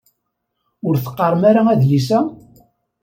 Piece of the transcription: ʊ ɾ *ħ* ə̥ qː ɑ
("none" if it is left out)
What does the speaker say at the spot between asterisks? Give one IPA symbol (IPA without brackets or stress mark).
θ